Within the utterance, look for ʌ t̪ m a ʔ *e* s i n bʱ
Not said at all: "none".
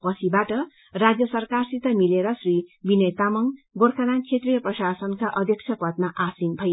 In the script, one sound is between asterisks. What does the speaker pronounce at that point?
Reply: a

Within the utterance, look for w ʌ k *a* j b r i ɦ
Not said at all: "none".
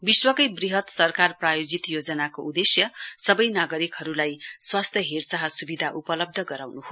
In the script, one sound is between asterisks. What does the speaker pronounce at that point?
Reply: ʌ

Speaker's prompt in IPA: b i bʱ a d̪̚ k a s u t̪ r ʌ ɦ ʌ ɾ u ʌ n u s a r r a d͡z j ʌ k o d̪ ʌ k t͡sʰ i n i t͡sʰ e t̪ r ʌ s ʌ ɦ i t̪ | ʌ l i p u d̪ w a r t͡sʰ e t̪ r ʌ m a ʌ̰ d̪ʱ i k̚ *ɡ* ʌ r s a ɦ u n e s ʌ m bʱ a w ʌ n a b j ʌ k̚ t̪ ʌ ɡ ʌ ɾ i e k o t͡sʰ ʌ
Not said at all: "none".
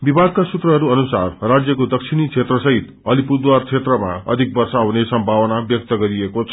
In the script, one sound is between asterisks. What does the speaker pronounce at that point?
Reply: b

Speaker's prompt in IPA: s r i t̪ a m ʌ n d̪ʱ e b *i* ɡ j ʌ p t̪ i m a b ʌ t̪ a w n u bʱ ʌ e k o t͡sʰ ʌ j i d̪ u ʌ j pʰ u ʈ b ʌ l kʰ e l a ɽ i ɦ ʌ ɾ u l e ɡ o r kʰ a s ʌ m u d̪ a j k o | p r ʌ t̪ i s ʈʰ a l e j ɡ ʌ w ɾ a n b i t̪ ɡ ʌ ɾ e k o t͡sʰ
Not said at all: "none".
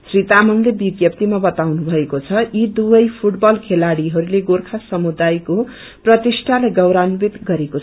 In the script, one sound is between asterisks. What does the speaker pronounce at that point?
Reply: i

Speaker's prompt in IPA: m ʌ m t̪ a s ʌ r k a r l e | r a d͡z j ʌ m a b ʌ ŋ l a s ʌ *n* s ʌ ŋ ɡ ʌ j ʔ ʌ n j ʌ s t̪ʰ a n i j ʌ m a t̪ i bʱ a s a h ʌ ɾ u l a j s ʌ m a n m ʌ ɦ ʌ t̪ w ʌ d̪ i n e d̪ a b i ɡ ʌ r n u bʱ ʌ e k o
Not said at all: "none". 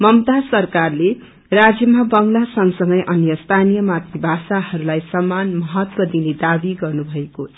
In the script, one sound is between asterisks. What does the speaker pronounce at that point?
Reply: ŋ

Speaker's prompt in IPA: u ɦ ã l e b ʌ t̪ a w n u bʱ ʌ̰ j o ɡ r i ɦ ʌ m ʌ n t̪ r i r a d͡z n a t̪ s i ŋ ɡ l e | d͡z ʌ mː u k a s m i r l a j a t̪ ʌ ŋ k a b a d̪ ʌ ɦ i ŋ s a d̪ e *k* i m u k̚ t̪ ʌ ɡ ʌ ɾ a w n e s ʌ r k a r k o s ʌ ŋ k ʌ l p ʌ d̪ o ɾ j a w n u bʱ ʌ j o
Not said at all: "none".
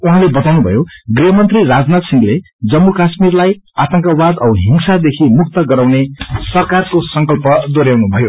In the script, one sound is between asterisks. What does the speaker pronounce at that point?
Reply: kʰ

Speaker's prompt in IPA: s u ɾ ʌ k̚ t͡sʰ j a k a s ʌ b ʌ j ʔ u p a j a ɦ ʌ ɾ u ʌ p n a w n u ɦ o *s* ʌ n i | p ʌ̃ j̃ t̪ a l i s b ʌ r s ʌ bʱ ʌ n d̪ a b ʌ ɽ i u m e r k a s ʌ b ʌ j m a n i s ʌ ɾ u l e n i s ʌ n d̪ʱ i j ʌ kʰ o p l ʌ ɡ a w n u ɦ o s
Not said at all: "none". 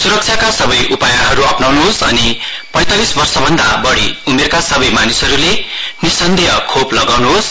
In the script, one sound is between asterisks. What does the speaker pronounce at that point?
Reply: s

